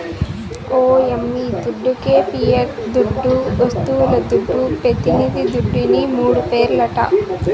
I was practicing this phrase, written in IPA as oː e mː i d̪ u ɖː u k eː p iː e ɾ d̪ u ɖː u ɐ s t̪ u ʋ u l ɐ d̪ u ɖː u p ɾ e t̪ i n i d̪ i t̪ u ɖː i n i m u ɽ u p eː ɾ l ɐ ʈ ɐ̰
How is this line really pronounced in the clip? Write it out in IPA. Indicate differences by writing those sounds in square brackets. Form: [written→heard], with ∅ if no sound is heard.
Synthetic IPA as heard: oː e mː i d̪ u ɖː u k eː p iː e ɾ d̪ u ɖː u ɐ s t̪ u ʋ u l ɐ d̪ u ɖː u p ɾ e t̪ i n i d̪ i [t̪→d̪] u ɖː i n i m [u→uː] ɽ u p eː ɾ l ɐ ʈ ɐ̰